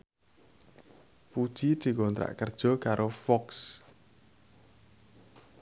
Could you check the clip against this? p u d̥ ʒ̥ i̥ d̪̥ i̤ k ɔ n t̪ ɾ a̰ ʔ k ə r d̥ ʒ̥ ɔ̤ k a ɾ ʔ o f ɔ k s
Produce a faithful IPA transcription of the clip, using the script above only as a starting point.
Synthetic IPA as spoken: p u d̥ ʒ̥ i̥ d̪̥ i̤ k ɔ n t̪ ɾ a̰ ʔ k ə r d̥ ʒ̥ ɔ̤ k a ɾ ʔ o f ɔ k s